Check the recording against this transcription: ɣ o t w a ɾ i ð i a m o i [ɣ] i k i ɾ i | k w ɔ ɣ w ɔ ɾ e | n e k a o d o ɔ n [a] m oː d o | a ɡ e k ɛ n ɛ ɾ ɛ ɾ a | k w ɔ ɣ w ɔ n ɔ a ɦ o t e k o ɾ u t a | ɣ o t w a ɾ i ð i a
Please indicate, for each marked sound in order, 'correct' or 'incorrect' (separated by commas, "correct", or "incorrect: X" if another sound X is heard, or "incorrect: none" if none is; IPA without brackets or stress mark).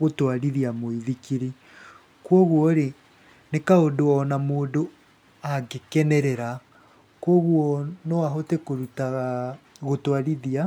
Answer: incorrect: ð, correct